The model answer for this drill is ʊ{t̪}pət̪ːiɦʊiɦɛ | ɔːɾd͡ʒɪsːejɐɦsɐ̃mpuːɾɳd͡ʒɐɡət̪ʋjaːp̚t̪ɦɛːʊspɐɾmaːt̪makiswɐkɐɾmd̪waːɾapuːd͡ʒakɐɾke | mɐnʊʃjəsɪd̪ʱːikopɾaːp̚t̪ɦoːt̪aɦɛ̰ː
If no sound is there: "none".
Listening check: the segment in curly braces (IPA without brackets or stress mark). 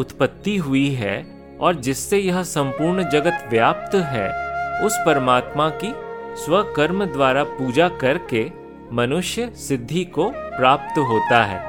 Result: t̪